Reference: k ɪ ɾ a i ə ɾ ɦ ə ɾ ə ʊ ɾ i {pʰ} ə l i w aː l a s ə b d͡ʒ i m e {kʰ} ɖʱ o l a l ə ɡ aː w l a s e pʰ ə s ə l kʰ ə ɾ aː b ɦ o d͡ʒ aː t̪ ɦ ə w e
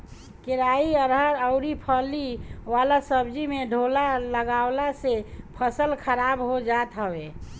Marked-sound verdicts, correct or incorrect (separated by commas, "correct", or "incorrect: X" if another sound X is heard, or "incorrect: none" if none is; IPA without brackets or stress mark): correct, incorrect: none